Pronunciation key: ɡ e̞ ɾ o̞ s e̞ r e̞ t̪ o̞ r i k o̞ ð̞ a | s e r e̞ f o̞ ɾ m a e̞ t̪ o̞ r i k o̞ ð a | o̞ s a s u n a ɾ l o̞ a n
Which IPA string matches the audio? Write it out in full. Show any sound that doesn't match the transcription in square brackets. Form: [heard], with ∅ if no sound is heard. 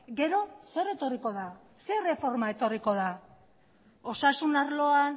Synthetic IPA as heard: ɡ e̞ ɾ o̞ s e̞ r e̞ t̪ o̞ r i k o̞ ð̞ a | s e r e̞ f o̞ ɾ m a e̞ t̪ o̞ r i k o̞ ð a | o̞ s a s u n a ɾ l o̞ a n